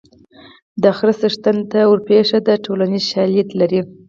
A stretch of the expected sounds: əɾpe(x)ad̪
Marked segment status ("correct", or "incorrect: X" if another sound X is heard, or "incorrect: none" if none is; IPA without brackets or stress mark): incorrect: ʂ